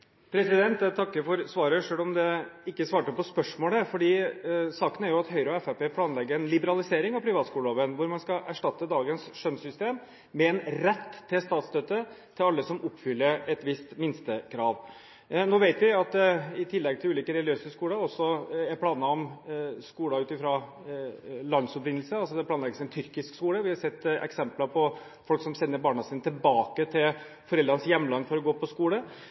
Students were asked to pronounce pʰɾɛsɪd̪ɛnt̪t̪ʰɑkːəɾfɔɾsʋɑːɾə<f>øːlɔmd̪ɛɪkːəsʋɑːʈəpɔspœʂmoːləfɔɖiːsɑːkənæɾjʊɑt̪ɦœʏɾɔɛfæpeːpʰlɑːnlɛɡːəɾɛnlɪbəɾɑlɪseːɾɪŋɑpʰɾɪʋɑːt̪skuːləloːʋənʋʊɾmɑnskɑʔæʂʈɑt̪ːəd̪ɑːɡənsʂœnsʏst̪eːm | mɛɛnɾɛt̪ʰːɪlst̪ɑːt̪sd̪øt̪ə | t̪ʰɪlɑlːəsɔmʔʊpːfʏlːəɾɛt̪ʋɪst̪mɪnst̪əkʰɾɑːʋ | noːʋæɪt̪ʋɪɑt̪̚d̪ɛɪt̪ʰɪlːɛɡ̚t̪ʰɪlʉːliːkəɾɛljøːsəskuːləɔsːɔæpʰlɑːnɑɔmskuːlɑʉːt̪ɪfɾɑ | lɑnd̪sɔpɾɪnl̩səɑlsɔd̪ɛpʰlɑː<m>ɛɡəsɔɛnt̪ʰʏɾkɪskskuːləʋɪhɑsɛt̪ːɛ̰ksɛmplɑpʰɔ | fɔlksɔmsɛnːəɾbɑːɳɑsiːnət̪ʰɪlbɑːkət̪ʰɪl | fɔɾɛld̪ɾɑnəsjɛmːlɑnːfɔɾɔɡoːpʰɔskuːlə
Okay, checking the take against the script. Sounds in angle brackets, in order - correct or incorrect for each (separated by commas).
incorrect, incorrect